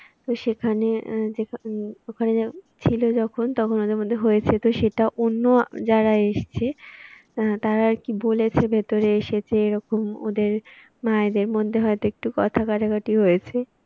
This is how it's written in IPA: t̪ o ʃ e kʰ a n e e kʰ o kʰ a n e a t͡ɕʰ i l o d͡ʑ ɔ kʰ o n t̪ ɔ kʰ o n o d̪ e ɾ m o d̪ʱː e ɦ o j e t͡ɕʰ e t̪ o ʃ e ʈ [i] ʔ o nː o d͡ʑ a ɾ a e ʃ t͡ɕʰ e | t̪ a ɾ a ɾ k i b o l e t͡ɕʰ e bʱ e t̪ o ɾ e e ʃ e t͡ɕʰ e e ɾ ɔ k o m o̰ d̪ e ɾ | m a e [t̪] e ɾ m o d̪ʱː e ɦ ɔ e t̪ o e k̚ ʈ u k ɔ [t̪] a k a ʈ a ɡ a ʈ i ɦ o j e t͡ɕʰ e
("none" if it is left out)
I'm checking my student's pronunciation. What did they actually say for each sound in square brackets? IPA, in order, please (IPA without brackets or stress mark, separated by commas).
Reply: a, d̪, t̪ʰ